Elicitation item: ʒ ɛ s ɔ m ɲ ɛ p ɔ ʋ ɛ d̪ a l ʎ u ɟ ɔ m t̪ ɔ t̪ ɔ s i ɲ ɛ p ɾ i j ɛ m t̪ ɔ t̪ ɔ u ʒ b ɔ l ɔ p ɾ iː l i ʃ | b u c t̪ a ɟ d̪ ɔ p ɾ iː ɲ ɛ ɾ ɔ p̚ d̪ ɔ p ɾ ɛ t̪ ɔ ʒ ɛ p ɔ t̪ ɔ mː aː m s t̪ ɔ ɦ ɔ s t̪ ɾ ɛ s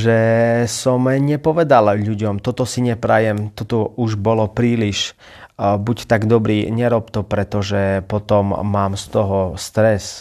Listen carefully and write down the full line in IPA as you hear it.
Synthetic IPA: ʒ ɛ s ɔ m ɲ ɛ p ɔ ʋ ɛ d̪ a l ʎ u ɟ ɔ m t̪ ɔ t̪ ɔ s i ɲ ɛ p ɾ a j ɛ m t̪ ɔ t̪ ɔ u ʒ b ɔ l ɔ p ɾ iː l i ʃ | b u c t̪ a ɡ d̪ ɔ b ɾ iː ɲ ɛ ɾ ɔ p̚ t̪ ɔ p ɾ ɛ t̪ ɔ ʒ ɛ p ɔ t̪ ɔ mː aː m s t̪ ɔ ɦ ɔ s t̪ ɾ ɛ s